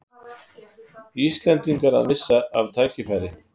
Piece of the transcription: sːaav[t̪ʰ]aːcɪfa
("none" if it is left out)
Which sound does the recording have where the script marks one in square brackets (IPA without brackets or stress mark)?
t̪ʰ